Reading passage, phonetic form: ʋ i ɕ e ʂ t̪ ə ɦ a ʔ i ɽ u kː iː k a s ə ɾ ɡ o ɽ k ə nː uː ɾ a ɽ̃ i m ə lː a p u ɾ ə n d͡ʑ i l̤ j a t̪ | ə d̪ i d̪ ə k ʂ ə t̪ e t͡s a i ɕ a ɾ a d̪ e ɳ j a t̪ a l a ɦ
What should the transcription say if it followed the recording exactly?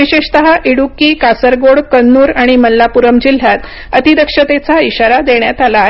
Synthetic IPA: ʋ i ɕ e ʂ t̪ ə ɦ a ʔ i ɽ u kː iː k a s ə ɾ ɡ o ɽ k ə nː uː ɾ a ɽ̃ i m ə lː a p u ɾ ə m d͡ʑ i l̤ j a t̪ | ə t̪ i d̪ ə k ʂ ə t̪ e t͡s a i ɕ a ɾ a d̪ e ɳ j a t̪ a l a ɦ